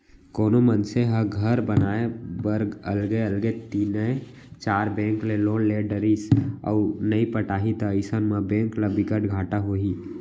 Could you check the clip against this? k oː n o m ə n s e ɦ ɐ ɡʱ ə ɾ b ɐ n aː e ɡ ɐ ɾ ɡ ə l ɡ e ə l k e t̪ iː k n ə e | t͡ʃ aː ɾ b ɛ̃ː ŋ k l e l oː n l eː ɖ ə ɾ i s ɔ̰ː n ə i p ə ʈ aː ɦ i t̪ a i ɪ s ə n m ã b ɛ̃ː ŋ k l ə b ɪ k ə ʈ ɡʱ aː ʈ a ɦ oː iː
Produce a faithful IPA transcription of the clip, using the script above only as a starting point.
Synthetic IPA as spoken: k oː n o m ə n s e ɦ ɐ ɡʱ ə ɾ b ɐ n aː e b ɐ ɾ ɡ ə l ɡ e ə l ɡ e t̪ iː n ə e | t͡ʃ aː ɾ b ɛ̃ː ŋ k l e l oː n l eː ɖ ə ɾ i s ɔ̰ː n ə i p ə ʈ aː ɦ i t̪ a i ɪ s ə n m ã b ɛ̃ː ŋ k l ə b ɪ k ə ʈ ɡʱ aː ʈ a ɦ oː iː